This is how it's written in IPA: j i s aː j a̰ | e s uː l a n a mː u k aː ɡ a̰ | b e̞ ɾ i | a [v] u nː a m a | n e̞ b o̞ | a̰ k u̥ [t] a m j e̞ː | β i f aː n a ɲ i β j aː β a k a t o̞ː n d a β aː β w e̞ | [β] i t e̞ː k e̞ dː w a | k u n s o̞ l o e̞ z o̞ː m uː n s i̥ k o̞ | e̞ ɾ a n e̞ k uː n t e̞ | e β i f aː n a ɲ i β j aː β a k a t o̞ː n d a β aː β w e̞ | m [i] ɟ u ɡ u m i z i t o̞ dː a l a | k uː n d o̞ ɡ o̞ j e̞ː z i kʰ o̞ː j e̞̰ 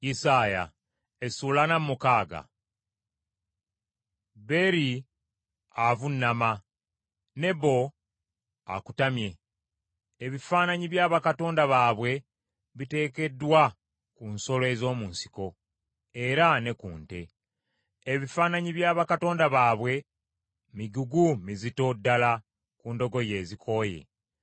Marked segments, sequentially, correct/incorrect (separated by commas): correct, correct, correct, correct